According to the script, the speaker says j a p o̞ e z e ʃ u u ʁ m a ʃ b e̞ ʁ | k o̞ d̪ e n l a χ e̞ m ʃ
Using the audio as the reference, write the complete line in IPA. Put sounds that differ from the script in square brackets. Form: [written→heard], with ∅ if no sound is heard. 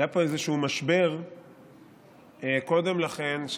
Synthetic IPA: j a p o̞ e z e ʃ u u [ʁ→∅] m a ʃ b e̞ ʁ | k o̞ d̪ e [n→m] l a χ e̞ [m→n] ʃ

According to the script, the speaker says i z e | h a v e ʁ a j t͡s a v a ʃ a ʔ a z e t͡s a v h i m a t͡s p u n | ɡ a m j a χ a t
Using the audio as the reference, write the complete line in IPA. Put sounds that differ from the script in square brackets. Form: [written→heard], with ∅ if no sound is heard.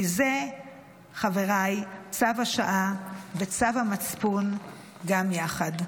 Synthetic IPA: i z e | [h→χ] a v e ʁ a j t͡s a v a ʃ a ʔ a [z→v] e t͡s a v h [i→a] m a t͡s p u n | ɡ a m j a χ a [t→d]

